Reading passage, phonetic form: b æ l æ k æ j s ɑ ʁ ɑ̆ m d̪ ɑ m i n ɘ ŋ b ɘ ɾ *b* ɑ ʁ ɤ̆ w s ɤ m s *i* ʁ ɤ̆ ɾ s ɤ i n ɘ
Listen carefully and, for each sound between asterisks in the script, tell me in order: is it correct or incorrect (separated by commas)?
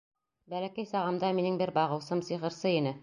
correct, correct